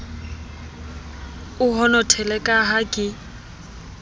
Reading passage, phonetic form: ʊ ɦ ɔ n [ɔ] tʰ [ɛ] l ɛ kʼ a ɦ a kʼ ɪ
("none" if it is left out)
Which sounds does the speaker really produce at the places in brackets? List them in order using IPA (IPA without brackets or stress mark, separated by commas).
ɔ, ɛ